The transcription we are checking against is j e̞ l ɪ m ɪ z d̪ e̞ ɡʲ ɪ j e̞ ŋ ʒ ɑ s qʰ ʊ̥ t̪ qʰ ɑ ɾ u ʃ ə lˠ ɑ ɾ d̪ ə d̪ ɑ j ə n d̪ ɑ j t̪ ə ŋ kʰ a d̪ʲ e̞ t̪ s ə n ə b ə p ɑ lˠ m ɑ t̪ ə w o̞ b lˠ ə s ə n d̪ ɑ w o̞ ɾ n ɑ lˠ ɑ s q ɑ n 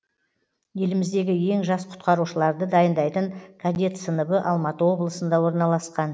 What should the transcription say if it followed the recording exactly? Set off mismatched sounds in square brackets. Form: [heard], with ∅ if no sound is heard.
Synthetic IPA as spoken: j e̞ l ɪ m ɪ z d̪ e̞ ɡʲ ɪ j e̞ ŋ ʒ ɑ s qʰ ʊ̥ t̪ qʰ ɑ ɾ u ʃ ə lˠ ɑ ɾ d̪ ə d̪ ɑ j ə n d̪ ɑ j t̪ ə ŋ kʰ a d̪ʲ e̞ t̪ s ə n ə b ə [ʔ] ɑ lˠ m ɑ t̪ ə w o̞ b lˠ ə s ə n d̪ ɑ w o̞ ɾ n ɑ lˠ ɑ s q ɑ n